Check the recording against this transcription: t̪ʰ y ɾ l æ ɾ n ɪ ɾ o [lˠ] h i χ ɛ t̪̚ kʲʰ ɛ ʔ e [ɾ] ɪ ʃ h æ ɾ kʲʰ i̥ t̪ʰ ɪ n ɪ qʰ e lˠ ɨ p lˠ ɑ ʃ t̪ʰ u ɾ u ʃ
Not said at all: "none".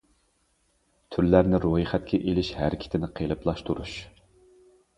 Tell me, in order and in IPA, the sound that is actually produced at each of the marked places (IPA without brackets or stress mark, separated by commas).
none, l